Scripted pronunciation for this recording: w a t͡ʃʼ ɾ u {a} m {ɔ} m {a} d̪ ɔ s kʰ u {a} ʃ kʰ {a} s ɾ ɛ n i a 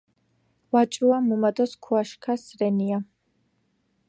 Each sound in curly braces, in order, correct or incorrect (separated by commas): correct, incorrect, correct, correct, correct